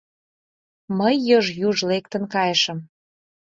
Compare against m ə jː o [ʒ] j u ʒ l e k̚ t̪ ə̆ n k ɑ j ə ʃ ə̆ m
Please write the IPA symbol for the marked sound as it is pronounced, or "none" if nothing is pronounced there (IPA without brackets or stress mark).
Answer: ʒ